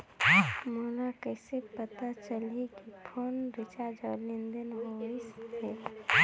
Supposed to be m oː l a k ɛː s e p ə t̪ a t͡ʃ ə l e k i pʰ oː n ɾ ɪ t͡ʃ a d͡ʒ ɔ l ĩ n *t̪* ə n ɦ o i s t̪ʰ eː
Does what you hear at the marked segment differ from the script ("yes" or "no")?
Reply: yes